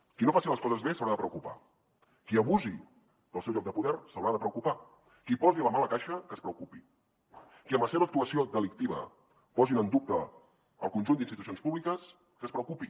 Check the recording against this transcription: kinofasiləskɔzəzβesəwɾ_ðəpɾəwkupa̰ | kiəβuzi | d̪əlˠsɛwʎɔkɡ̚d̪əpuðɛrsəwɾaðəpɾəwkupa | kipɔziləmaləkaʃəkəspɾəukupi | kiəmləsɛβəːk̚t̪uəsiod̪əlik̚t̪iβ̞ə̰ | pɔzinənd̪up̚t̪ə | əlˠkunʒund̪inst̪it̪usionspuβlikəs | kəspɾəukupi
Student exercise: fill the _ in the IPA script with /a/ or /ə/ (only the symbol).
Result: a